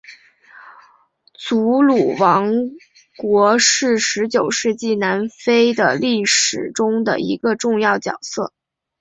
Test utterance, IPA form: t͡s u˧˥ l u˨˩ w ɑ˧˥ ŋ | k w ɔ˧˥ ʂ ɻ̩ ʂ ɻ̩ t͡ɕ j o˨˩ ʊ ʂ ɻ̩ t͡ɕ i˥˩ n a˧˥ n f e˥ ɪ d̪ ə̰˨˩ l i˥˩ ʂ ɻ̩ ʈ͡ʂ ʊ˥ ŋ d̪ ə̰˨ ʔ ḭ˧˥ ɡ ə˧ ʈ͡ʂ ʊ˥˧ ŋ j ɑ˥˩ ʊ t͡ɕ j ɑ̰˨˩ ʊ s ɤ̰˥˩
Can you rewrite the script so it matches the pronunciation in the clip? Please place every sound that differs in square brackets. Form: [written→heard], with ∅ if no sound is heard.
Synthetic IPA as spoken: t͡s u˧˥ l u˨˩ w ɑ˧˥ ŋ | k w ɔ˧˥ ʂ ɻ̩ ʂ ɻ̩ t͡ɕ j o˨˩ ʊ ʂ ɻ̩ t͡ɕ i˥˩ n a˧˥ n f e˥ ɪ d̪ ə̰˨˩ l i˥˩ ʂ ɻ̩ ʈ͡ʂ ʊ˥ ŋ d̪ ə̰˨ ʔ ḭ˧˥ ɡ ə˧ ʈ͡ʂ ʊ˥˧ ŋ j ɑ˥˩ ʊ t͡ɕ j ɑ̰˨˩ ʊ s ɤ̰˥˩